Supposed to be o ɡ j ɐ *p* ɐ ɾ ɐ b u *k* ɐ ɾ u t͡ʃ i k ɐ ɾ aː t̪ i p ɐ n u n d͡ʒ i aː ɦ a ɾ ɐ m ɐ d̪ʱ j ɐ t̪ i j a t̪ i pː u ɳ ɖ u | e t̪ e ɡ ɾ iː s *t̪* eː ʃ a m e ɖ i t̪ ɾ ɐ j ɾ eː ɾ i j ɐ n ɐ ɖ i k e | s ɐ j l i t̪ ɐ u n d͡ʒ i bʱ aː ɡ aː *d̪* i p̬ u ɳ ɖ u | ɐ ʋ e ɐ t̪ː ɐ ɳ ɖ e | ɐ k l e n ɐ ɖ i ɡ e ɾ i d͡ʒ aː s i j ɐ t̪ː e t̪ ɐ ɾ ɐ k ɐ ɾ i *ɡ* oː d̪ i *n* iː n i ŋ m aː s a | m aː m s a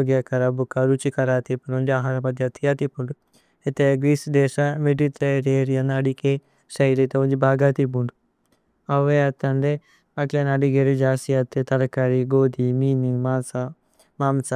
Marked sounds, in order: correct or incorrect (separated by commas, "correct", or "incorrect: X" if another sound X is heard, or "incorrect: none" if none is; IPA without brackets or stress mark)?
incorrect: k, correct, incorrect: d̪, incorrect: t̪, correct, incorrect: m